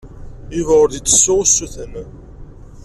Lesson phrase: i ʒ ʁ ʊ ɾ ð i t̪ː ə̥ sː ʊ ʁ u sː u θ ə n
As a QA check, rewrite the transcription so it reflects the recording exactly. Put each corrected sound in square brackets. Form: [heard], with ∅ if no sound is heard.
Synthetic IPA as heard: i [v] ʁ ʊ ɾ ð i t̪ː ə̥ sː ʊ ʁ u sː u θ ə n